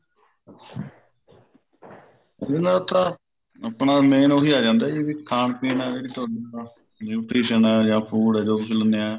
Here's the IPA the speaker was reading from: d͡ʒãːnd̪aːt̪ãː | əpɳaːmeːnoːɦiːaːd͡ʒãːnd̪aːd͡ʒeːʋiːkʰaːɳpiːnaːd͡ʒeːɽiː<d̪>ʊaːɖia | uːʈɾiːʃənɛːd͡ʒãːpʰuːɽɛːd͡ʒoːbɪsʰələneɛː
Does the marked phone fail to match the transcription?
yes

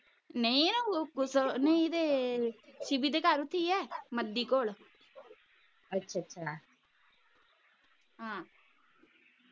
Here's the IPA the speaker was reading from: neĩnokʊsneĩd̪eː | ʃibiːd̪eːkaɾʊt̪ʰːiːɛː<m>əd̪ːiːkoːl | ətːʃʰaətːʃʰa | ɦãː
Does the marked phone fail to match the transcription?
no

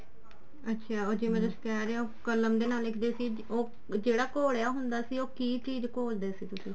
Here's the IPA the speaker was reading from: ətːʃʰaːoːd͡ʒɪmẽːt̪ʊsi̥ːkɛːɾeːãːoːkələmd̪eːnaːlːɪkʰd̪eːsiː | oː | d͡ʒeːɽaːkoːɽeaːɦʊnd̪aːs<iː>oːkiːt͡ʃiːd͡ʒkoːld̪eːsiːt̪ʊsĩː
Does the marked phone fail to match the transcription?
no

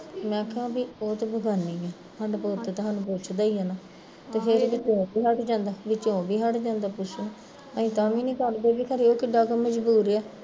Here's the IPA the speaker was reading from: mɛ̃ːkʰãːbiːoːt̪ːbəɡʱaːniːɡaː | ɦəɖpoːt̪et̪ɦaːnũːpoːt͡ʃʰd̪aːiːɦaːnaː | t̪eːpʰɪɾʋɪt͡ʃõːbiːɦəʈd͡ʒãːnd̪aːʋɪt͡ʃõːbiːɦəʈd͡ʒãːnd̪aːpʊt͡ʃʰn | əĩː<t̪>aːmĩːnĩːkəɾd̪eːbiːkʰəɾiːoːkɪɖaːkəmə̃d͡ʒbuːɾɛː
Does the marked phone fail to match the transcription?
no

